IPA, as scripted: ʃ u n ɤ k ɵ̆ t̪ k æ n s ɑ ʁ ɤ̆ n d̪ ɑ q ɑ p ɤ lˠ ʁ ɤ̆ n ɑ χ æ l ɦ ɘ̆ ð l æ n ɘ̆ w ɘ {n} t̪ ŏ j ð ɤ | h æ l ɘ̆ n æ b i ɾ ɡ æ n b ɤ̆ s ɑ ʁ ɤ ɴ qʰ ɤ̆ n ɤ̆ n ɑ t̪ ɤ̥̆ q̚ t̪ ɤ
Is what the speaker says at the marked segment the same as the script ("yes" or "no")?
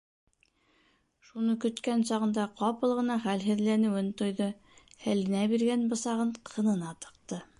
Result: yes